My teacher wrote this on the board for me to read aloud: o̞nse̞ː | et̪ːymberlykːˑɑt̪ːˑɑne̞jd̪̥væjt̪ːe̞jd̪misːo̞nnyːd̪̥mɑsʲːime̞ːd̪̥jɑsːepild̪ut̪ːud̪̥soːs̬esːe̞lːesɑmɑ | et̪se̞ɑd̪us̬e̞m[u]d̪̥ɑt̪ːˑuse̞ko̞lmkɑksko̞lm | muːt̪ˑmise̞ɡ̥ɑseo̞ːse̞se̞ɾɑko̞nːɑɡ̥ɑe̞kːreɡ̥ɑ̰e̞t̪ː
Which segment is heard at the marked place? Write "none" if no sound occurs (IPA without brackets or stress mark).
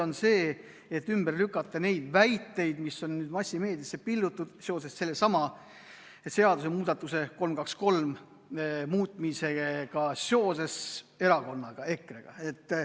uː